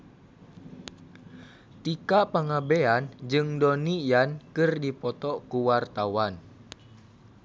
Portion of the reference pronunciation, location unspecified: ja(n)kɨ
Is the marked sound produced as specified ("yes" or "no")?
yes